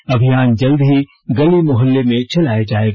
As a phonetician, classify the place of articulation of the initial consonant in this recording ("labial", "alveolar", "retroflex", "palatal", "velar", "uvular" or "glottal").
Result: labial